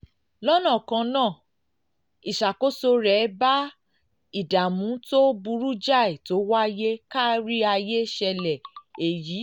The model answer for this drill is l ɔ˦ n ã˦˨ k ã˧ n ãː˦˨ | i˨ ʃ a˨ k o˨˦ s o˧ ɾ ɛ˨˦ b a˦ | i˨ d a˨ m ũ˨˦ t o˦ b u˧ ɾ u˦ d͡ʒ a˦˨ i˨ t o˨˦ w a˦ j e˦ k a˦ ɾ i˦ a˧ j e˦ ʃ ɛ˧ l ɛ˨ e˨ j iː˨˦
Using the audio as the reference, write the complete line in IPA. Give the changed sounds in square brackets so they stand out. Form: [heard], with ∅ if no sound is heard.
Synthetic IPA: l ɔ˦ n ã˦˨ k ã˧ n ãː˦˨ | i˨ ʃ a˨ k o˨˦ s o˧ ɾ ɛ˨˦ b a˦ | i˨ d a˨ m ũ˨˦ t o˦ b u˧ ɾ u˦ d͡ʒ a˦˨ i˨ t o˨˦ w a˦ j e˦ k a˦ ɾ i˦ a˧ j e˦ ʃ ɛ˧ l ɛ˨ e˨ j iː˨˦